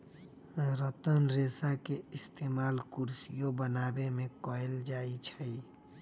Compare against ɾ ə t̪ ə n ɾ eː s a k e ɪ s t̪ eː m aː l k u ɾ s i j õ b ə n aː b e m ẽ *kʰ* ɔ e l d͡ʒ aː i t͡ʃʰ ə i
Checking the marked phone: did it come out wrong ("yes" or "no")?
yes